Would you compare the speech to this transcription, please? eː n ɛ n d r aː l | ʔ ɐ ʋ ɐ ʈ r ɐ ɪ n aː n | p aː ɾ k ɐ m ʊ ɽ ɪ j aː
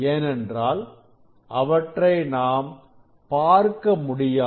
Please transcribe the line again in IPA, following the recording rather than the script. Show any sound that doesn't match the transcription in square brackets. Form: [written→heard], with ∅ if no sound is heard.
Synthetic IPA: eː n ɛ n d r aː l | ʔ ɐ ʋ ɐ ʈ r ɐ ɪ n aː [n→m] | p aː ɾ k ɐ m ʊ ɽ ɪ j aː